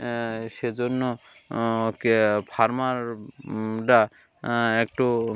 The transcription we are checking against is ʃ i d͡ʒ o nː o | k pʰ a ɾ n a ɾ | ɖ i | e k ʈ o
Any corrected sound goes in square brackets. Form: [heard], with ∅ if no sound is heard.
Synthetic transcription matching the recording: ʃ [e] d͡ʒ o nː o | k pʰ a ɾ [m] a ɾ | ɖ [a] | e k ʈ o